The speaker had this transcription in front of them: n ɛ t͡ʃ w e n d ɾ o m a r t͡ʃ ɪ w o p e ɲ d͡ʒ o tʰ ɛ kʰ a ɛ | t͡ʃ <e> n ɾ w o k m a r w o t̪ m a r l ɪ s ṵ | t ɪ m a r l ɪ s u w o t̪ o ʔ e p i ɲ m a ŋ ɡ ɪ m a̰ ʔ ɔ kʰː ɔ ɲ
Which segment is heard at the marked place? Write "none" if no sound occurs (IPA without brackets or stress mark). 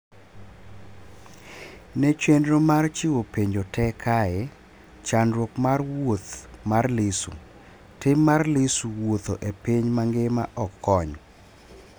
a